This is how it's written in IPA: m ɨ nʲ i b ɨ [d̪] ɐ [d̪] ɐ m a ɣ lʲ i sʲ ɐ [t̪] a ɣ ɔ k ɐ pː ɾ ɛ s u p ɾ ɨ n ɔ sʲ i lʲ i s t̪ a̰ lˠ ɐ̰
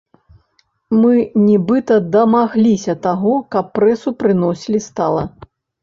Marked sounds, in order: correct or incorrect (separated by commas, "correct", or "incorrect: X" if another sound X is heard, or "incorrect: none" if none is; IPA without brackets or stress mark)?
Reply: incorrect: t̪, correct, correct